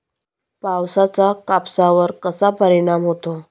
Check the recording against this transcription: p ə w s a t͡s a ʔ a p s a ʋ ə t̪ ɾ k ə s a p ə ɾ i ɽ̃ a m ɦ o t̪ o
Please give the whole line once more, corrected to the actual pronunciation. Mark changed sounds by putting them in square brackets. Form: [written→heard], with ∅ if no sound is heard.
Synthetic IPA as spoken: p [ə→a] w s a t͡s a [ʔ→k] a p s a ʋ ə [t̪→∅] ɾ k ə s a p ə ɾ i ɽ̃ a m ɦ o t̪ o